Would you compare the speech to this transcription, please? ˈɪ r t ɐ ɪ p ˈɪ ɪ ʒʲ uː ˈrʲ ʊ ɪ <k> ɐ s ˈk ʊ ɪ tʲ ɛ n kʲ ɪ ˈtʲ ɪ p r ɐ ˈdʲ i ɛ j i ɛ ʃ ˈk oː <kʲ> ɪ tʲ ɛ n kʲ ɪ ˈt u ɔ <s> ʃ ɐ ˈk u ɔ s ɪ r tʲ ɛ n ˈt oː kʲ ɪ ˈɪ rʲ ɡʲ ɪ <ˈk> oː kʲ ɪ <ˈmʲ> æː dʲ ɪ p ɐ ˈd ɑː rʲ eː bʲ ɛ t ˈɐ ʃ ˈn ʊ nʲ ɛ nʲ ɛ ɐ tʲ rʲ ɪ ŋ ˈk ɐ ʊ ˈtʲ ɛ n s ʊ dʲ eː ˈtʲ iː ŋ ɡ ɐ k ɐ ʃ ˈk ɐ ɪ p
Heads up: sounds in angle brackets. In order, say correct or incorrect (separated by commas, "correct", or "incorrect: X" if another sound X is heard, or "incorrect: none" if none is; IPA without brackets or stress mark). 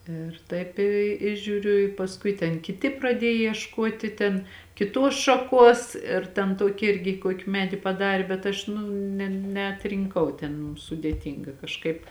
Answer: incorrect: p, incorrect: tʲ, correct, correct, correct